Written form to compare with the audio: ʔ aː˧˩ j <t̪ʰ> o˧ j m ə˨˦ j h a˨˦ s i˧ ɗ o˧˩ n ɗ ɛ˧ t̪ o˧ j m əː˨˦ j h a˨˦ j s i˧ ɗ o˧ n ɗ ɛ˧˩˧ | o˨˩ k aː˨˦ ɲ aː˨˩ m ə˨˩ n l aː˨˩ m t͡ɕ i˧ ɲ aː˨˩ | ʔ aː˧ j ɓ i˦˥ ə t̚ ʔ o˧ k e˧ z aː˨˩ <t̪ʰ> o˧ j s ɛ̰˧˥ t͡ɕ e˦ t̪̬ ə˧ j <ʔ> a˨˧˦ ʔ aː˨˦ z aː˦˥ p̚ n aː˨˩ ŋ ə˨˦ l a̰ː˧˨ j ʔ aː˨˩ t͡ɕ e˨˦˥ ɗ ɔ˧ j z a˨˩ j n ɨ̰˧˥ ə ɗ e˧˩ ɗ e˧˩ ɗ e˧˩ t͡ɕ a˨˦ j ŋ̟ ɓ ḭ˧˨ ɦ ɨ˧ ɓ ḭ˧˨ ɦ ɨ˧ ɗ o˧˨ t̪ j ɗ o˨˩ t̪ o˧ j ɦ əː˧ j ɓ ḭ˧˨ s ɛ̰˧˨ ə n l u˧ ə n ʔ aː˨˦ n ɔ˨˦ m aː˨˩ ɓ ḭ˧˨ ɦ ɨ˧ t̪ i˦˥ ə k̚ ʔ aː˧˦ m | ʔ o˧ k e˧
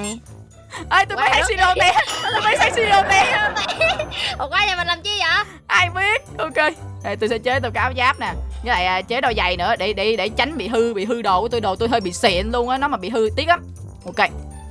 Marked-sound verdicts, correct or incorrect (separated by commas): incorrect, incorrect, incorrect